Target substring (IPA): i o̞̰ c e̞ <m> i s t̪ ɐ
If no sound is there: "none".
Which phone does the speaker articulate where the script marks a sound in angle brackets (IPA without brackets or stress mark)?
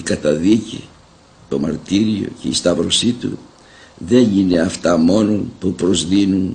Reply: none